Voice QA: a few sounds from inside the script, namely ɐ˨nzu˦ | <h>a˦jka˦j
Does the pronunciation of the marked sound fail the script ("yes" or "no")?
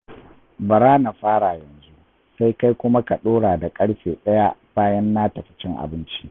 yes